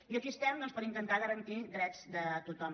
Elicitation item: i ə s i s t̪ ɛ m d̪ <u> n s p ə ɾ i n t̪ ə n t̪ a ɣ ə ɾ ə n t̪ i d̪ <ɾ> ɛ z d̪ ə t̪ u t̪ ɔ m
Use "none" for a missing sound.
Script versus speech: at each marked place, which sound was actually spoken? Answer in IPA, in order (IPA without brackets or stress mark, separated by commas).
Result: ɔ, ɾ